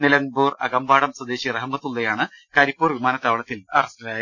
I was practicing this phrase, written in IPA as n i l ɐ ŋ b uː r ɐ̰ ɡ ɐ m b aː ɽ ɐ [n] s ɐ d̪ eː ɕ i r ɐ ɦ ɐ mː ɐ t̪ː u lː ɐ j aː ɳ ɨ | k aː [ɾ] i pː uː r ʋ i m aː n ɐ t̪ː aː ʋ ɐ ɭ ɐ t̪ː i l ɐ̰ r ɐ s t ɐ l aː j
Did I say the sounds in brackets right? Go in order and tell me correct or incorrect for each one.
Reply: incorrect: m, correct

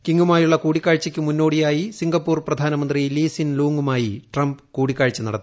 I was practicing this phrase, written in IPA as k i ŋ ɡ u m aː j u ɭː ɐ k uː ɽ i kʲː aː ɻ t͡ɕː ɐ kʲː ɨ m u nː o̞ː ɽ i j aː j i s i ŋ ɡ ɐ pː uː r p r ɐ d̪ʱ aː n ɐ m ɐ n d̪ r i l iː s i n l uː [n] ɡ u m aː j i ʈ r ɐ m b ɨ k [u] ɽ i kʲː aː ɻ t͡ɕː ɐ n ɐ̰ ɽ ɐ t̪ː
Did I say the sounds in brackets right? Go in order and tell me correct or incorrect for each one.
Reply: incorrect: ŋ, incorrect: uː

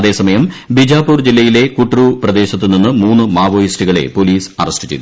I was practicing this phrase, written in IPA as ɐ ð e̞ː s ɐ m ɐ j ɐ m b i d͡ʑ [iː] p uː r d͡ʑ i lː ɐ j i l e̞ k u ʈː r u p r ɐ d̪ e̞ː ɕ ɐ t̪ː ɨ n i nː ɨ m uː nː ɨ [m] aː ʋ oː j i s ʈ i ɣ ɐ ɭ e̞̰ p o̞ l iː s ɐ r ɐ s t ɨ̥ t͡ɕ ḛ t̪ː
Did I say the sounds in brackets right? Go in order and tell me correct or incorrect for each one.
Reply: incorrect: aː, correct

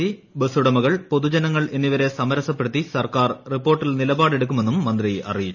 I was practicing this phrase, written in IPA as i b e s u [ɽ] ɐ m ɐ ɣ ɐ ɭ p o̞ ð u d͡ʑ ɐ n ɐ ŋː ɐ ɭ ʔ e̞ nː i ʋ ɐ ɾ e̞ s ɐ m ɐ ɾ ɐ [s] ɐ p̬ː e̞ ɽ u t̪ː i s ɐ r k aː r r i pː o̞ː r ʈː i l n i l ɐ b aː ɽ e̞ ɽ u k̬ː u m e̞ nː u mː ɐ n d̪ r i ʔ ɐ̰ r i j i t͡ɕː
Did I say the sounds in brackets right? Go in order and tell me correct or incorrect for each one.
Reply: correct, correct

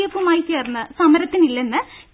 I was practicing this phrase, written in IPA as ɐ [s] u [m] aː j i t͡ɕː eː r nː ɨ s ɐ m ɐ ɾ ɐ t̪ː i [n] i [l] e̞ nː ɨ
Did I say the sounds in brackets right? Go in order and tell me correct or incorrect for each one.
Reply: incorrect: f, correct, correct, incorrect: lː

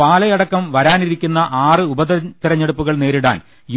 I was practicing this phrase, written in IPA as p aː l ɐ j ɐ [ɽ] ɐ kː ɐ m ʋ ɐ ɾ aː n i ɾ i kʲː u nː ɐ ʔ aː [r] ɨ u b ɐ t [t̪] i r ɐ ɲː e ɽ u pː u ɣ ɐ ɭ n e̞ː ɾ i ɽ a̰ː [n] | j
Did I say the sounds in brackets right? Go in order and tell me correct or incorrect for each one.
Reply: correct, correct, correct, correct

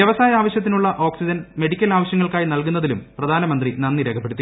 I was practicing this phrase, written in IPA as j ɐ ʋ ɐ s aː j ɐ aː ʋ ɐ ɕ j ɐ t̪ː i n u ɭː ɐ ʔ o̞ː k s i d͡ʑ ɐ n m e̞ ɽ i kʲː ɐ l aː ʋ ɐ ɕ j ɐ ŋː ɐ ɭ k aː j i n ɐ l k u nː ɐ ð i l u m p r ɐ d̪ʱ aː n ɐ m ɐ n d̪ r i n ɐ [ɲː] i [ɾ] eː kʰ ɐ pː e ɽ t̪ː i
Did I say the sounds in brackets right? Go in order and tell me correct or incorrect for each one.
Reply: incorrect: nː, correct

